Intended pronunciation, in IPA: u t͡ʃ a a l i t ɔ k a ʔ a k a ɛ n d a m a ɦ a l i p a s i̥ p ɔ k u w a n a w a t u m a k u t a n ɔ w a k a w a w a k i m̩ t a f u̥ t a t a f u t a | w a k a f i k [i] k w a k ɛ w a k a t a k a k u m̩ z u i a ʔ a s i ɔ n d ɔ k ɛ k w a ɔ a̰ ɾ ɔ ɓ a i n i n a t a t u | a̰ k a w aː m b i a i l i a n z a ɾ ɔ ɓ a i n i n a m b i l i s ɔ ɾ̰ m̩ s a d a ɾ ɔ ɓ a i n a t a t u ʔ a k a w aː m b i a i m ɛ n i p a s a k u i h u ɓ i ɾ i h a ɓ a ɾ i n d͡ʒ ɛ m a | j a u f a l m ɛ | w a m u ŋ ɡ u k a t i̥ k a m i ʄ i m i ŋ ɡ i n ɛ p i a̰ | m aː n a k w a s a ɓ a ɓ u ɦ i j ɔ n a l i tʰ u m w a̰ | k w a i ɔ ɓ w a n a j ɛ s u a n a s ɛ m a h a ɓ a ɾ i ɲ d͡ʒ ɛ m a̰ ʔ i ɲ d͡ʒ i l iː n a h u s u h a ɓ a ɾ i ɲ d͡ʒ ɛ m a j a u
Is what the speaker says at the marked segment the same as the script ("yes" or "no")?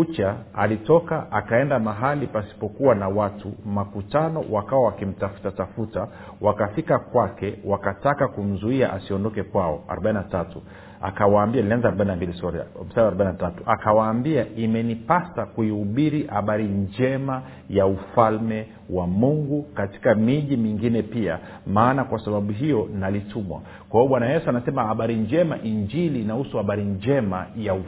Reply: no